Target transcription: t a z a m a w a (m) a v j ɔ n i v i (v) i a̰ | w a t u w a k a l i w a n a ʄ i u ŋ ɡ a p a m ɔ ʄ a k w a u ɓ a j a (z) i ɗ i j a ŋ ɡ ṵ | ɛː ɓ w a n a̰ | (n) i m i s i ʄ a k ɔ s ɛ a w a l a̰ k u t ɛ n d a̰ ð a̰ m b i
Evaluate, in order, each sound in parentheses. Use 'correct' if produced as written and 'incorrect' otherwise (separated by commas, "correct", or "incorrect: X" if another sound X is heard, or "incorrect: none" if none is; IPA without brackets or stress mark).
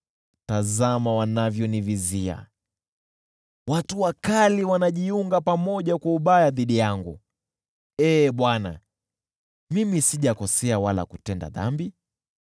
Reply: incorrect: n, incorrect: z, incorrect: ð, incorrect: m